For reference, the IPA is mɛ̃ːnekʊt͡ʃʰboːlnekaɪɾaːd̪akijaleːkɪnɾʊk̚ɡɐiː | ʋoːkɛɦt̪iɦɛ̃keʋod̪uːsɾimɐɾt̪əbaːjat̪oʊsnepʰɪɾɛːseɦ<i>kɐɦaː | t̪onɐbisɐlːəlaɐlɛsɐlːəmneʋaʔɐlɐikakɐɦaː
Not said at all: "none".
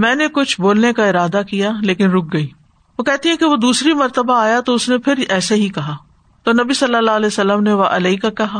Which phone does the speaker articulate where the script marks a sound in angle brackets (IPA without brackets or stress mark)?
i